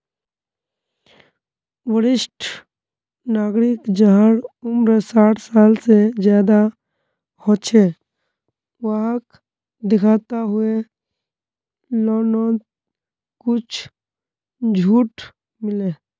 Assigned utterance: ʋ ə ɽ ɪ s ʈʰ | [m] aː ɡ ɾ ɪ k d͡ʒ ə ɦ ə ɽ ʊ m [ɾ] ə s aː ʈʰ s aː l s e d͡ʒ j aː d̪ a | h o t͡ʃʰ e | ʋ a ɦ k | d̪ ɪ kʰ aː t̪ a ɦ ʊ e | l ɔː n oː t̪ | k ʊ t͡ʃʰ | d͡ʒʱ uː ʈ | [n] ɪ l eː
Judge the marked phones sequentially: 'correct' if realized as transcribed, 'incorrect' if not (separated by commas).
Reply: incorrect, correct, incorrect